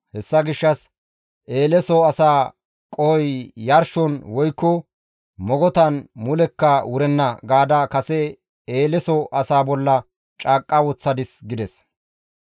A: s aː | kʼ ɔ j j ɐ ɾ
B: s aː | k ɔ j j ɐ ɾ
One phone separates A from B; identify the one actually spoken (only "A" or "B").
A